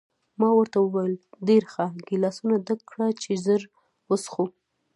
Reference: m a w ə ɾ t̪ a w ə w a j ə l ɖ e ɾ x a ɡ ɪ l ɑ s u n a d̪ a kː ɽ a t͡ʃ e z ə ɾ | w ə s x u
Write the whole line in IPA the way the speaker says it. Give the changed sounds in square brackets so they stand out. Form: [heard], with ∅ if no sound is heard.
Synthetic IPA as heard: m [ɑ] w ə ɾ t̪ a w ə w a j ə l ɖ e ɾ x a ɡ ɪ l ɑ s u n a d̪ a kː ɽ a t͡ʃ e z ə ɾ | w ə s x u